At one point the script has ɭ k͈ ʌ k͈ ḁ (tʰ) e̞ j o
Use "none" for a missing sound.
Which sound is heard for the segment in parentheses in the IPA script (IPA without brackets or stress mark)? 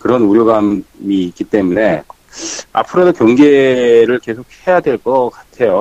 tʰ